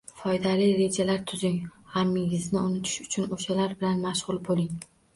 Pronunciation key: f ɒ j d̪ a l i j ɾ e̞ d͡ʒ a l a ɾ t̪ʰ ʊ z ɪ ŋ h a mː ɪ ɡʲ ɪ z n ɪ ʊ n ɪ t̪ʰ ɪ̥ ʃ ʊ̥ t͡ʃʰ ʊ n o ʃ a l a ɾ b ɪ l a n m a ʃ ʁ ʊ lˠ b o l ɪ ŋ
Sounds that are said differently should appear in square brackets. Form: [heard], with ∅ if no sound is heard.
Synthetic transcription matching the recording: f ɒ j d̪ a l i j ɾ e̞ d͡ʒ a l a ɾ t̪ʰ ʊ z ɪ ŋ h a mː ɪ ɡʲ ɪ z n ɪ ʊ n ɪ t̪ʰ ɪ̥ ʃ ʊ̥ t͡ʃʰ ʊ n o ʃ a l a ɾ b ɪ l a n m a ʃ ʁ ʊ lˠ b o l ɪ ŋ